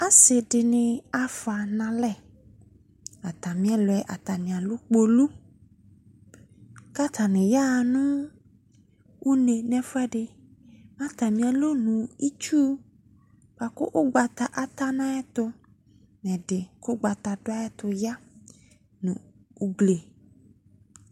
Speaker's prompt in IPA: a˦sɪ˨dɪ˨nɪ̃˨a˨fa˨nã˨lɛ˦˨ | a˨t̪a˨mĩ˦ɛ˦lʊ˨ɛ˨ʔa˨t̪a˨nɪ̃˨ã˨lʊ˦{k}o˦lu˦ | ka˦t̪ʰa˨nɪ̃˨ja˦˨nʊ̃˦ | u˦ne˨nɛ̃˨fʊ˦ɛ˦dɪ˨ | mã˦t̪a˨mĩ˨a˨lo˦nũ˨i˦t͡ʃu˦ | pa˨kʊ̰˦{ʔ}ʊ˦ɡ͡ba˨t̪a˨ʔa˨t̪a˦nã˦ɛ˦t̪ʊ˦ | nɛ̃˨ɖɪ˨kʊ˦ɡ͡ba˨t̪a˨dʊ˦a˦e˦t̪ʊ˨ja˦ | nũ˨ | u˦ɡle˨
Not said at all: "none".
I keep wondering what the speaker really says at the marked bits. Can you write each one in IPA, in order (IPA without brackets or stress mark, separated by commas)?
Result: k͡p, ʔ